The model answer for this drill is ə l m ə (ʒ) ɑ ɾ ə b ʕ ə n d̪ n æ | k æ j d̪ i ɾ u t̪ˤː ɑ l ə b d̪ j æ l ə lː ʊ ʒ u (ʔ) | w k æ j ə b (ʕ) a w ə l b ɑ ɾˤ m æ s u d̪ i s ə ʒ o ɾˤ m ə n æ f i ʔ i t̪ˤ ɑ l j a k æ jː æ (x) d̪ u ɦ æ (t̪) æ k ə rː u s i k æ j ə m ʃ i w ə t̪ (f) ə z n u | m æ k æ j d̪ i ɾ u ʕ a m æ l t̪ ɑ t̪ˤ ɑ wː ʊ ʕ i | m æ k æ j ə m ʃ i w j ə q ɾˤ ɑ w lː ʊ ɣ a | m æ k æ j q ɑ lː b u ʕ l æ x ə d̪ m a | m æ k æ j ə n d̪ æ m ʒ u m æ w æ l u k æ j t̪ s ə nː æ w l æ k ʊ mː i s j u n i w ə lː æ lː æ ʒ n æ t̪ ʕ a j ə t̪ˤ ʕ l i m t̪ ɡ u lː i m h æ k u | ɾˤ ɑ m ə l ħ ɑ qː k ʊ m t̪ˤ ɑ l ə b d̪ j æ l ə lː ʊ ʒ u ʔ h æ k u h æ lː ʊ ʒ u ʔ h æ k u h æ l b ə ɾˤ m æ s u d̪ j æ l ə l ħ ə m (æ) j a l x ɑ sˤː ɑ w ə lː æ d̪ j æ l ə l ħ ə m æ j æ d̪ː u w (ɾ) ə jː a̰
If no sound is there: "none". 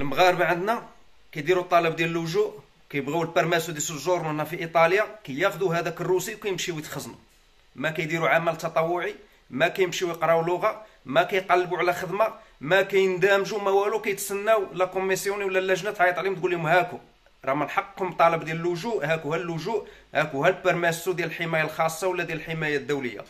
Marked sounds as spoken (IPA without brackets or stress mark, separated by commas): ɣ, ʔ, ɣ, x, d̪, x, æ, l